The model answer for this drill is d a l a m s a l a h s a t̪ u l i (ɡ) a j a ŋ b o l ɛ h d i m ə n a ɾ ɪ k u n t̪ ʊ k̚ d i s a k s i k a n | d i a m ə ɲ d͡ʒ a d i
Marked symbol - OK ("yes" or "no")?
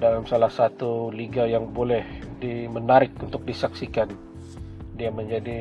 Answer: yes